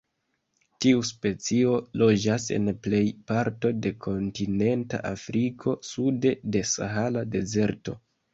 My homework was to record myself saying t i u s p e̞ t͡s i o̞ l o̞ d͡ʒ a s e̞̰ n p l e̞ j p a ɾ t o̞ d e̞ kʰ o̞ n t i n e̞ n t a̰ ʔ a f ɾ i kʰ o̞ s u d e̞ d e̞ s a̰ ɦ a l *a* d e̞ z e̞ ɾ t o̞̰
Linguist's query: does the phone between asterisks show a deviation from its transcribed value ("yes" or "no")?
no